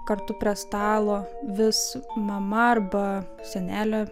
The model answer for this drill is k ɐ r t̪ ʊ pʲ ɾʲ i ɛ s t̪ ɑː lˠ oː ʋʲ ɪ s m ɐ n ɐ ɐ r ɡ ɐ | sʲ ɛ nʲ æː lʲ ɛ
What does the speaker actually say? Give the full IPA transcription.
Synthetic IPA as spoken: k ɐ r t̪ ʊ pʲ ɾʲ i ɛ s t̪ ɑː lˠ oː ʋʲ ɪ s m ɐ m ɐ ɐ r b ɐ | sʲ ɛ nʲ æː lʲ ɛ